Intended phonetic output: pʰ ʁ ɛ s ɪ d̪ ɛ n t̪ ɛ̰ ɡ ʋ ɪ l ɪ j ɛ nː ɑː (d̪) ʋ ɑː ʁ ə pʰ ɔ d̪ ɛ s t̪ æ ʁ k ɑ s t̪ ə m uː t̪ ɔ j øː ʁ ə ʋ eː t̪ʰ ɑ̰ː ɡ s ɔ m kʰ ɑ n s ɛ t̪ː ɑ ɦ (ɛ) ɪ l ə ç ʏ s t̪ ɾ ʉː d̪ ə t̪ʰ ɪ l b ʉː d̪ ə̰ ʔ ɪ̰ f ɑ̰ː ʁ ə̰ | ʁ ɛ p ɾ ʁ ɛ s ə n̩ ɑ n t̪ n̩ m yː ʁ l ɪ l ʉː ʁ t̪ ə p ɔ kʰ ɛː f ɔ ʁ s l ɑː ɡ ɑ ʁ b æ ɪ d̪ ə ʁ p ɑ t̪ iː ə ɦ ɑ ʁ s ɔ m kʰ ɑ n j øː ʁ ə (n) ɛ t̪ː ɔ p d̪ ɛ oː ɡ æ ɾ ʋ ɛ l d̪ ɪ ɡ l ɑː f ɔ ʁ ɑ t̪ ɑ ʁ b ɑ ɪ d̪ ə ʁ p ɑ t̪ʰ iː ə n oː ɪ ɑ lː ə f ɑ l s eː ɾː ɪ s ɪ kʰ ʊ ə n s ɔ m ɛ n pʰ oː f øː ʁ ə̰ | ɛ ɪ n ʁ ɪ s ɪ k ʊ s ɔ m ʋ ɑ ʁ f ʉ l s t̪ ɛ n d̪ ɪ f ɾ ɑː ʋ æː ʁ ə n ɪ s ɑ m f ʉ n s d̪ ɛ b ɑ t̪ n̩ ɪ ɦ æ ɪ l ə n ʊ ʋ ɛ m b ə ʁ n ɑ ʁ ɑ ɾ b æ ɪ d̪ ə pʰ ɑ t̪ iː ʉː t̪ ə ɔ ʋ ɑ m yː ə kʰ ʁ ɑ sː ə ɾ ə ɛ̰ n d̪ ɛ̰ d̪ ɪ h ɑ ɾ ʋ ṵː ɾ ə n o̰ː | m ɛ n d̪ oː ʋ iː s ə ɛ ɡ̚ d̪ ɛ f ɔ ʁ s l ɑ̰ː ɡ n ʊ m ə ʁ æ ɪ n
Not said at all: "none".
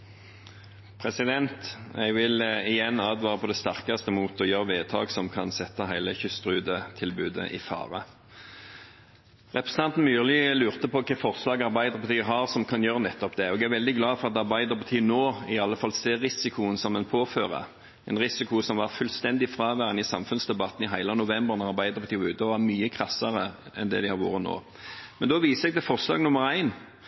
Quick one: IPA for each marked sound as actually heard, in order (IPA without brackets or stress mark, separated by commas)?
d̪, æ, n